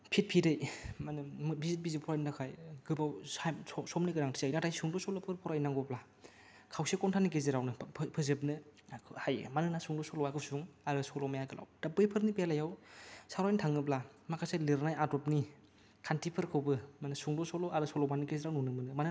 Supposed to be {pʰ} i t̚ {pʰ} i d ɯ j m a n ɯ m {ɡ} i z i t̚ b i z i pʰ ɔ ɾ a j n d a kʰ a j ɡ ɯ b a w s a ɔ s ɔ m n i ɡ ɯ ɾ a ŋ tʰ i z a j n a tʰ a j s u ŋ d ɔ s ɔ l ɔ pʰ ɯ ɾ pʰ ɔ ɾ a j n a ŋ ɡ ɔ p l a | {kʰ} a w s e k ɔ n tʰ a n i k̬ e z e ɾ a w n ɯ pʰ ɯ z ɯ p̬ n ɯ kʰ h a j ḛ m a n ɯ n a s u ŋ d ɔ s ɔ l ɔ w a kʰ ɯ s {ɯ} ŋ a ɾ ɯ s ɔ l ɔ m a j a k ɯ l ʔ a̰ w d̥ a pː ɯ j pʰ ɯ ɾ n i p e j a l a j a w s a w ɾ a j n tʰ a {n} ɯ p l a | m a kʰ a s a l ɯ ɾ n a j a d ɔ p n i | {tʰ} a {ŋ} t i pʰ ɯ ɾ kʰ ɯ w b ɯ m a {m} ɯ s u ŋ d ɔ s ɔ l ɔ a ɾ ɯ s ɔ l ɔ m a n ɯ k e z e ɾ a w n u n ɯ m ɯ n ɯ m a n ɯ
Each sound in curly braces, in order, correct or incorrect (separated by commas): correct, correct, incorrect, correct, incorrect, incorrect, incorrect, incorrect, incorrect